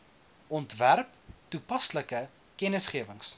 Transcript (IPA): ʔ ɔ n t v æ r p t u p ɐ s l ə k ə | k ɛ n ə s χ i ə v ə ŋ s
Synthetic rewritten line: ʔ ɔ n t v æ r p t u p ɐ s l ə k ə | k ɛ n ə s χ i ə v ə ŋ s